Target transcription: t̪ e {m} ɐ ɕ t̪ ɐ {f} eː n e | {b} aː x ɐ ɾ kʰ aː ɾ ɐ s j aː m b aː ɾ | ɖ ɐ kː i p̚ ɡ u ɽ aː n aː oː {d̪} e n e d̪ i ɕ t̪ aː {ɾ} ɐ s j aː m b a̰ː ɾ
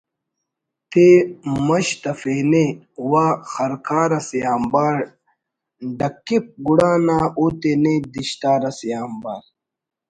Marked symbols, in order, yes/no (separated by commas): yes, yes, no, no, yes